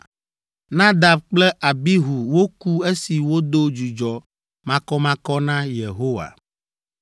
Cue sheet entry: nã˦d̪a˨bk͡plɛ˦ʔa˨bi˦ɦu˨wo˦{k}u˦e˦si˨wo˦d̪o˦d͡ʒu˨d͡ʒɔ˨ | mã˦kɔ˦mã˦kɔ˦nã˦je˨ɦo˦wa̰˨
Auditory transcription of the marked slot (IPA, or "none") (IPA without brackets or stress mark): k